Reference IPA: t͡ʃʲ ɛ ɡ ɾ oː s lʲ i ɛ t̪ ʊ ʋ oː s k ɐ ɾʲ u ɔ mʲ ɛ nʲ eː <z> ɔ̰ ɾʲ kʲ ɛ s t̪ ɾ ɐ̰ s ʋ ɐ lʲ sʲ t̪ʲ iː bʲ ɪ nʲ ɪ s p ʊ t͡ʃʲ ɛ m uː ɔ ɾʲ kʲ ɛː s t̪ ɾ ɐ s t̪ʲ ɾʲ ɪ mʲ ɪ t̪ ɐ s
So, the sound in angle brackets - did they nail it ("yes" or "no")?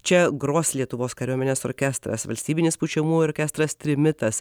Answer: no